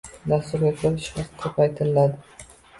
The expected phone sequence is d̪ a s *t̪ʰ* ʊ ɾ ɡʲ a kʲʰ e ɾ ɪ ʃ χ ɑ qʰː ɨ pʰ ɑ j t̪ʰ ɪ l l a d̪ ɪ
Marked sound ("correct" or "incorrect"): incorrect